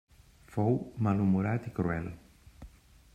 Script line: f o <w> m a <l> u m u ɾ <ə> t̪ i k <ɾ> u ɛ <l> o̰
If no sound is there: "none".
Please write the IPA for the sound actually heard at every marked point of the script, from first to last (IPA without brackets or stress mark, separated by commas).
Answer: w, l, a, ɾ, l